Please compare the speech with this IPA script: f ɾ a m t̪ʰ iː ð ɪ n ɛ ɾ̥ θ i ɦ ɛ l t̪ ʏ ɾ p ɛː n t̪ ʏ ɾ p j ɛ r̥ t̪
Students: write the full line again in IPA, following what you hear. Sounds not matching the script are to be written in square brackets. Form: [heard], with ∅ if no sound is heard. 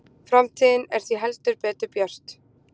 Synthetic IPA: f ɾ a m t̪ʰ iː ð ɪ n ɛ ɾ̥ θ i ɦ ɛ l t̪ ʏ ɾ p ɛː [∅] t̪ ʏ ɾ p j [œ] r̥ t̪